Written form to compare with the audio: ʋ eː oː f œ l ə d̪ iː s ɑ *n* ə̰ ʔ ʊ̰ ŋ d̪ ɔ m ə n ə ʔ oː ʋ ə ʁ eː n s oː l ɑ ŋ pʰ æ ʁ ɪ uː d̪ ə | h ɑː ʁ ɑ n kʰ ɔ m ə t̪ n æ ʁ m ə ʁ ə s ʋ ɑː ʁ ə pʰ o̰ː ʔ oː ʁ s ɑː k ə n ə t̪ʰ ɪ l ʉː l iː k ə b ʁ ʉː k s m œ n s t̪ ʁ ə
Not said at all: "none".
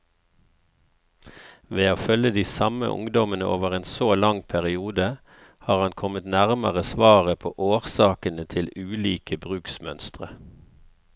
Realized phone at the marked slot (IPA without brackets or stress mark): m